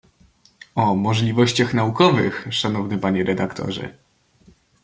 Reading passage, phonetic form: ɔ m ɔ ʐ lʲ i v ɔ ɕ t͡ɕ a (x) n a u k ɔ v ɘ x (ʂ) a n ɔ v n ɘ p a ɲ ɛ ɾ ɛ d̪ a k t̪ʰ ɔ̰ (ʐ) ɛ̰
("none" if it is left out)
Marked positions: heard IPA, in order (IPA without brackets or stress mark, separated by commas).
x, ʂ, ʐ